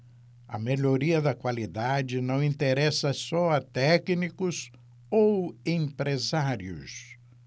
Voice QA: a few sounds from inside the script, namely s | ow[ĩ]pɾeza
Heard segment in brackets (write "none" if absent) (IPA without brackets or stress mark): ẽ